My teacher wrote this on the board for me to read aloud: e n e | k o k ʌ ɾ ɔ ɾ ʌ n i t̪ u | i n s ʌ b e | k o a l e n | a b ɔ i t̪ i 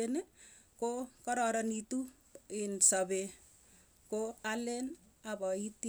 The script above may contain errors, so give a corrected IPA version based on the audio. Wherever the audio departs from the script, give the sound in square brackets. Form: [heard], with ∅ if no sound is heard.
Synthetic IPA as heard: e n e | k o k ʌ ɾ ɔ ɾ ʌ n i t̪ u | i n s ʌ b e | k o a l e n | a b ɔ i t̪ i